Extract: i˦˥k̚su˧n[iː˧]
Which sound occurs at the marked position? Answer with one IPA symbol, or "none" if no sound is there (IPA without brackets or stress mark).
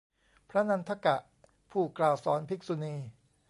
iː˧